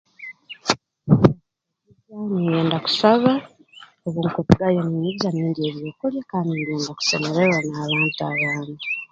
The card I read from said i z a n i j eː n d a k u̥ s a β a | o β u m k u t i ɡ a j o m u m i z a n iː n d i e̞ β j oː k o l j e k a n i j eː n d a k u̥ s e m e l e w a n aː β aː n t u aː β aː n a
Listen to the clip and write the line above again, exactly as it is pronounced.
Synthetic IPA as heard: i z a n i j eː n d a k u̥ s a β a | o β u ŋ k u t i ɡ a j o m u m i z a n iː n d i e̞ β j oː k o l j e k a n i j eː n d a k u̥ s e m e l e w a n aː β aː n t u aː β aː n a